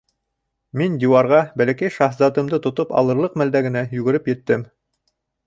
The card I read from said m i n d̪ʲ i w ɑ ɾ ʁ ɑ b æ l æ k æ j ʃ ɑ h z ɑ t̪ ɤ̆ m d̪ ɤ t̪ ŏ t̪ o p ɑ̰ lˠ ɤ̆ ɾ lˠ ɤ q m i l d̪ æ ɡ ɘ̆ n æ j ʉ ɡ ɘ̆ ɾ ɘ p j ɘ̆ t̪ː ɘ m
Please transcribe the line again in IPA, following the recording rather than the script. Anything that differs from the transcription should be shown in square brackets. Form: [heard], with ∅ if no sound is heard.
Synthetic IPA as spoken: m i n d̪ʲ i w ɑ ɾ ʁ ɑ b æ l æ k æ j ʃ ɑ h z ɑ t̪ ɤ̆ m d̪ ɤ t̪ ŏ t̪ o p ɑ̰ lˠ ɤ̆ ɾ lˠ ɤ q m [æ] l d̪ æ ɡ ɘ̆ n æ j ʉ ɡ ɘ̆ ɾ ɘ p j ɘ̆ t̪ː ɘ m

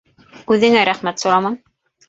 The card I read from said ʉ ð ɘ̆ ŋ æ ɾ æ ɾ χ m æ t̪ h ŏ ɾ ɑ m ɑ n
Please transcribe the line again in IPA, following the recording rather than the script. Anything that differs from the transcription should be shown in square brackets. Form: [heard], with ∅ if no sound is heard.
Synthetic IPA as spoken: ʉ ð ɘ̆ ŋ æ ɾ æ [∅] χ m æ t̪ [s] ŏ ɾ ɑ m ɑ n

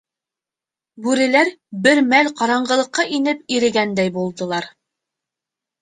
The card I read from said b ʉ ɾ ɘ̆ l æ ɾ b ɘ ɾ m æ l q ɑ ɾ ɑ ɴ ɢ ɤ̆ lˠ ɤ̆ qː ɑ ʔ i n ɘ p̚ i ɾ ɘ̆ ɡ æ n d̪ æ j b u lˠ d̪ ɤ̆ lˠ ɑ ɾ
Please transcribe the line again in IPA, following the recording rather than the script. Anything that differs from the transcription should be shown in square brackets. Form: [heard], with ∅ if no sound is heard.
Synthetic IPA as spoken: b ʉ ɾ ɘ̆ l æ ɾ b ɘ ɾ m æ l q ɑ ɾ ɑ ɴ ɢ ɤ̆ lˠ ɤ̆ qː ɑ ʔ i n ɘ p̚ i ɾ ɘ̆ ɡ æ n d̪ æ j b u lˠ d̪ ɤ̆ lˠ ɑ ɾ

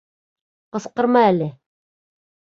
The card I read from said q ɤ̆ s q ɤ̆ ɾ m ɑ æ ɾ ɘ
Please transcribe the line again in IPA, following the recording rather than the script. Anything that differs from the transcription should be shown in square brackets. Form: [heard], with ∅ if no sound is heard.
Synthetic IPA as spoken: q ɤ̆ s q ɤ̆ ɾ m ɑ æ [l] ɘ

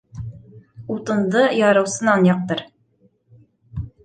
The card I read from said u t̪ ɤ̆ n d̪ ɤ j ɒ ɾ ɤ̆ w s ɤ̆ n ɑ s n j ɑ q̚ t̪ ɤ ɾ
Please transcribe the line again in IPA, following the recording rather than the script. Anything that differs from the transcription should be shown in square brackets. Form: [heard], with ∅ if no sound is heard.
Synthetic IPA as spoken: u t̪ ɤ̆ n d̪ ɤ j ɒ ɾ ɤ̆ w s ɤ̆ n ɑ [∅] n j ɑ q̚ t̪ ɤ ɾ

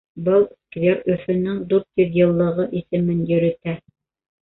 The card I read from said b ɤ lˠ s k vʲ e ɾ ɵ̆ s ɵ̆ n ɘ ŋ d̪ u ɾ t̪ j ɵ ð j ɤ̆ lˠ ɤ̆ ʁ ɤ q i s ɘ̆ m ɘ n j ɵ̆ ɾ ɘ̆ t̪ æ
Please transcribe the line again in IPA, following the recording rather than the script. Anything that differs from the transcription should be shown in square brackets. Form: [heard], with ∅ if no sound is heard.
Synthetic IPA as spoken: b ɤ lˠ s k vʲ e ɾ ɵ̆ [f] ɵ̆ n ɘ ŋ d̪ u ɾ t̪ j ɵ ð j ɤ̆ [lˠː] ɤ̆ ʁ ɤ [ʔ] i s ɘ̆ m ɘ n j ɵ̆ ɾ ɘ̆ t̪ æ

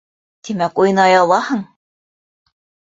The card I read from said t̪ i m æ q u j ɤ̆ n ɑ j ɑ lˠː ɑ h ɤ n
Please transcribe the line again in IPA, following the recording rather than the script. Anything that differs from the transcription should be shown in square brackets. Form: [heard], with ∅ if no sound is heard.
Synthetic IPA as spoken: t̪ i m æ [k] u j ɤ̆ n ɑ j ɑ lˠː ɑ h ɤ [ɴ]

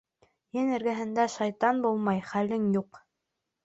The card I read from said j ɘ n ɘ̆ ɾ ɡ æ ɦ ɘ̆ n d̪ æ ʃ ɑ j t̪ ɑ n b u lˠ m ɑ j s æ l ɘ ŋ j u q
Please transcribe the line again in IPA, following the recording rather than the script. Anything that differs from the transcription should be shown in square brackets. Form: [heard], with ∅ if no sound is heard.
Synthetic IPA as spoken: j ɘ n ɘ̆ ɾ ɡ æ ɦ ɘ̆ n d̪ æ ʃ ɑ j t̪ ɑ n b u lˠ m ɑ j [χ] æ l ɘ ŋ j u q

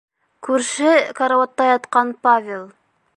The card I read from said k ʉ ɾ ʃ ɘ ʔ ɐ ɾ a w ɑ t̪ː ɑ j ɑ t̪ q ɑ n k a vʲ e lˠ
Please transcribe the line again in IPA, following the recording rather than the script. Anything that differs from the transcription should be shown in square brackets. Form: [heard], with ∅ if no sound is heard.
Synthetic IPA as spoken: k ʉ ɾ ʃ ɘ [k] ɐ ɾ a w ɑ t̪ː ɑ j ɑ t̪ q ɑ n [p] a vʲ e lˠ

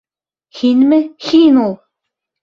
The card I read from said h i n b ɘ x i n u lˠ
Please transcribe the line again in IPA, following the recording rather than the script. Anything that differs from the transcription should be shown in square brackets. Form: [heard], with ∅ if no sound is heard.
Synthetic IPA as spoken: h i n [m] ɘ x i n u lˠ

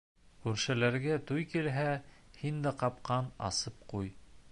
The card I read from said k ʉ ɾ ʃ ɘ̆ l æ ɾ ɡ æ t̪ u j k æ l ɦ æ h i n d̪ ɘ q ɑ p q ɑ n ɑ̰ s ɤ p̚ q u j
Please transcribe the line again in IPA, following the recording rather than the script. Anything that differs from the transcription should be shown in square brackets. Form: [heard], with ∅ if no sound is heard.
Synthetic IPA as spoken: k ʉ ɾ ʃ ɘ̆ l æ ɾ ɡ æ t̪ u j k [i] l ɦ æ h i n d̪ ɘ q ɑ p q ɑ n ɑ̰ s ɤ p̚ q u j

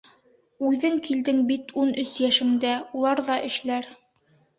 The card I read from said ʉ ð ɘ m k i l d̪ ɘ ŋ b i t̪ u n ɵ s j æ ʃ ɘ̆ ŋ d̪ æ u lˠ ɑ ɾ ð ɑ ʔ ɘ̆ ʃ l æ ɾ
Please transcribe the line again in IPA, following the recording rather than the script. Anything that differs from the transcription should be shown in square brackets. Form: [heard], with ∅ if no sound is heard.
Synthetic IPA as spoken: ʉ ð ɘ [ŋ] k i l d̪ ɘ ŋ b i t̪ u n ɵ s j æ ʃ ɘ̆ ŋ d̪ æ u lˠ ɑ ɾ ð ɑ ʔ ɘ̆ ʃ l æ ɾ

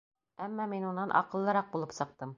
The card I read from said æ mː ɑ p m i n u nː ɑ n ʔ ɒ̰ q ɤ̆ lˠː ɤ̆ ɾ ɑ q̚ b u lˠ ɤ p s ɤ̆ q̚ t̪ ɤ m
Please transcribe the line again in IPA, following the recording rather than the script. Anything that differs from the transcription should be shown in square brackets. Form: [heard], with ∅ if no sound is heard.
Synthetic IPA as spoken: æ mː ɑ [∅] m i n u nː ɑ n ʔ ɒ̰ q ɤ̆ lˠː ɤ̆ ɾ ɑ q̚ b u lˠ ɤ p s ɤ̆ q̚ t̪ ɤ m

